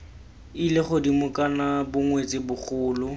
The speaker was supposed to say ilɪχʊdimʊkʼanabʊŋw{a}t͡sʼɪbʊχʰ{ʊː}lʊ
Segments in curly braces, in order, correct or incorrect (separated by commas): incorrect, correct